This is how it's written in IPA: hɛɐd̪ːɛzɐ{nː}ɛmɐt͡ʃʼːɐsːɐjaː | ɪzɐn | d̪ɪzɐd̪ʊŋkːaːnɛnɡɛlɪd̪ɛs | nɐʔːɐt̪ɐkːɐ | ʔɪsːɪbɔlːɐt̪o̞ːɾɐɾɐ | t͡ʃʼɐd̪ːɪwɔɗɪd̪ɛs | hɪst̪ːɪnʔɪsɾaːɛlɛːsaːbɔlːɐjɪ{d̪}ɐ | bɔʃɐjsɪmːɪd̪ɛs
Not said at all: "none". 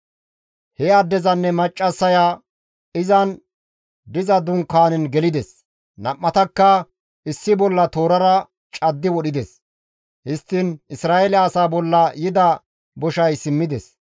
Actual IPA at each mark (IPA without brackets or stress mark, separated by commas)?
nː, d̪